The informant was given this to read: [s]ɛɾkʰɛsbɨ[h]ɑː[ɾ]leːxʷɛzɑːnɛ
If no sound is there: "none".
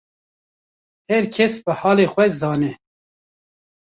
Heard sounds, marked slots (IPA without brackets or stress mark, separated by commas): h, h, none